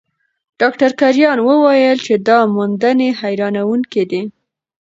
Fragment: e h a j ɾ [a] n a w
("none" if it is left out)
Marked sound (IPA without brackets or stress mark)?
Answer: ɑ